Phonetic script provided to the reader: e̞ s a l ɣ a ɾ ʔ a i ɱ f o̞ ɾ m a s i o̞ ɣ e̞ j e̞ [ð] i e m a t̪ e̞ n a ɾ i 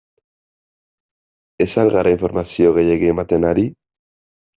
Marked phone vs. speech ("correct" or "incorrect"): incorrect